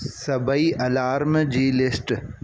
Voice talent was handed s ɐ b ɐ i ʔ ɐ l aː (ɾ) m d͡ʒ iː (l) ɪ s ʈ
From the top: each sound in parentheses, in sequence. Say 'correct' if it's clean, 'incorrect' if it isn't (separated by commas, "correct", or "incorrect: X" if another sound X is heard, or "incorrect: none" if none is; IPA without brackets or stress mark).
correct, correct